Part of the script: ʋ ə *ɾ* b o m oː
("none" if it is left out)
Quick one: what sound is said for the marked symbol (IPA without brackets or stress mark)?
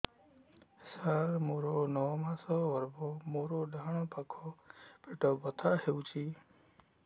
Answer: ɾ